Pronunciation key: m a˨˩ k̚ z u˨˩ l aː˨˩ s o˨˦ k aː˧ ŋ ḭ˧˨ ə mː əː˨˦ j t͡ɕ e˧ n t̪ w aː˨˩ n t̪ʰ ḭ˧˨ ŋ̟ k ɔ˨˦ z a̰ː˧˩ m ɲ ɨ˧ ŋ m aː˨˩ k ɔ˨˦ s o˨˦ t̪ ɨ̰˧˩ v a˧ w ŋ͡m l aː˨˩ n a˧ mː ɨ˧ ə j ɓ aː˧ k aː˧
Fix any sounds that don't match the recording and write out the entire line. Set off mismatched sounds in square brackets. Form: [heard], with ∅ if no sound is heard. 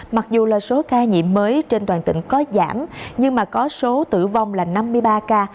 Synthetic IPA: m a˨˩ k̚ z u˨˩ l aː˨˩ s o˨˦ k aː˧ [ɲ] ḭ˧˨ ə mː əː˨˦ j t͡ɕ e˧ n t̪ w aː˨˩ n [t̪] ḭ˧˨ ŋ̟ k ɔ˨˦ z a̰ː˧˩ m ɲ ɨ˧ ŋ m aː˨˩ k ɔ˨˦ s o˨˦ t̪ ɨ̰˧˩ v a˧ w ŋ͡m l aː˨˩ n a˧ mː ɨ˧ ə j ɓ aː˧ k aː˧